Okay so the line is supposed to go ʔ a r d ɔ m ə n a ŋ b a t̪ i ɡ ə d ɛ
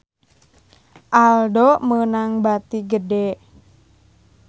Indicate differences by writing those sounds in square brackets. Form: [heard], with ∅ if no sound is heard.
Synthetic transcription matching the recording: ʔ a [l] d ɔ m ə n a ŋ b a t̪ i ɡ ə d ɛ